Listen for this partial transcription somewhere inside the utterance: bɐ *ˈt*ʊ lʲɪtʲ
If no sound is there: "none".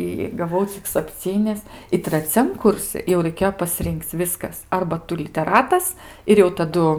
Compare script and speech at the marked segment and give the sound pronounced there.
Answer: t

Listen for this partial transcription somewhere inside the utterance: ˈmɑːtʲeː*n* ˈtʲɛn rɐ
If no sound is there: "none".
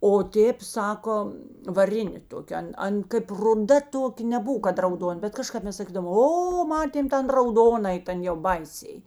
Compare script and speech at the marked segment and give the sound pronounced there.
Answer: m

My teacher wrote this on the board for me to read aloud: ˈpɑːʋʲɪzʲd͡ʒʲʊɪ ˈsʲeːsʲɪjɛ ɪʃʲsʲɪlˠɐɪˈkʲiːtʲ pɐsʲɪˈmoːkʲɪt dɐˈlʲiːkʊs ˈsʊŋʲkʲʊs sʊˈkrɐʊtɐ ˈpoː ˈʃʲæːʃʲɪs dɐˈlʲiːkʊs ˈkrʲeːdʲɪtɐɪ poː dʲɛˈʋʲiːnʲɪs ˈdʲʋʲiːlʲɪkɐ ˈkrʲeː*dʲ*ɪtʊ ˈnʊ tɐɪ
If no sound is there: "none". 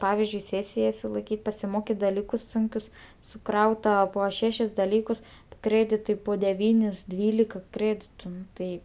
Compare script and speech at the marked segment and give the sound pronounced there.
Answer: dʲ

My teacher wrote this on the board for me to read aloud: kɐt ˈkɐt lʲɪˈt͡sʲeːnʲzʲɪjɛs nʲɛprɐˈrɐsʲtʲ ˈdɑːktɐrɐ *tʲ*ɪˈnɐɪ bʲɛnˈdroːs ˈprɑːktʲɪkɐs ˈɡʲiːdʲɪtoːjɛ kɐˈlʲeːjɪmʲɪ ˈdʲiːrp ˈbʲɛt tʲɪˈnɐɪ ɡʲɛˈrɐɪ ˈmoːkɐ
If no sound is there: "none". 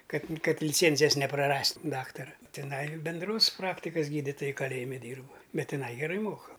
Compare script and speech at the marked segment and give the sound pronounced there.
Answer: tʲ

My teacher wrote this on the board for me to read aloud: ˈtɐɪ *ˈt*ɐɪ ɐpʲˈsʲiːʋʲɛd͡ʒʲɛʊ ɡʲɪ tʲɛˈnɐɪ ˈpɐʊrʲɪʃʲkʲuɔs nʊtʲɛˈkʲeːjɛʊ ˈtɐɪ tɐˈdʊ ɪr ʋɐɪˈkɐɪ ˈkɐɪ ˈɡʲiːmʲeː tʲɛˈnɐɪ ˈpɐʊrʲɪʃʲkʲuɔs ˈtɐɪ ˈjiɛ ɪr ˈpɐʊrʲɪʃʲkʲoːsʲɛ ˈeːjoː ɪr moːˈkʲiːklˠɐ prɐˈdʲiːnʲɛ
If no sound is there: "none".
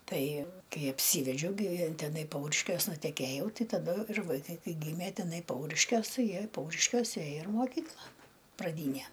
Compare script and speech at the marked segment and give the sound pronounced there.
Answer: k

